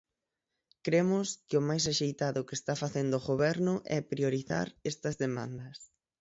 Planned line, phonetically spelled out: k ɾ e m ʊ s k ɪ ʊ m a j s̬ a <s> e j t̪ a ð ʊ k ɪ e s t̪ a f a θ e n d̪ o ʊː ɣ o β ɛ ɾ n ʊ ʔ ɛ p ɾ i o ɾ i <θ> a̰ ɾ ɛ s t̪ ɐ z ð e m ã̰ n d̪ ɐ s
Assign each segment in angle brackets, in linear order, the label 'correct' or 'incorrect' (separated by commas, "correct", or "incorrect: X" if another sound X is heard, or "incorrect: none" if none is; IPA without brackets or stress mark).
incorrect: ʃ, correct